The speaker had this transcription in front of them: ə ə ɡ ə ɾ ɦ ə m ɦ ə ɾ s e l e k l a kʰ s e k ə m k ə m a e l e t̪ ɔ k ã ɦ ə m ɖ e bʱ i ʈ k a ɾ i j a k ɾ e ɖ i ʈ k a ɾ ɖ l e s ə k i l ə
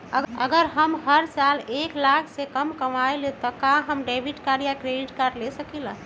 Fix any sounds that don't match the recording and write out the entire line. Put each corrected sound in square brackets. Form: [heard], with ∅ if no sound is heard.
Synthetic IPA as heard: ə ə ɡ ə ɾ ɦ ə m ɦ ə ɾ s [a] l e k l a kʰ s e k ə m k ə m a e l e t̪ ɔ k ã ɦ ə m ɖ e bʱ i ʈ k a ɾ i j a k ɾ e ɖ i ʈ k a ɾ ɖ l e s ə k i l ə